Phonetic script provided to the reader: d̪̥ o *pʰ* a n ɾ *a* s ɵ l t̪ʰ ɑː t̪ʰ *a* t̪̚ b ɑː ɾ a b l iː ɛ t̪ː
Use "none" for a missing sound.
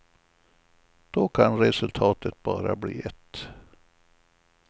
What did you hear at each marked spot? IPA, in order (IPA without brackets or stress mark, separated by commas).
kʰ, ɛ, ə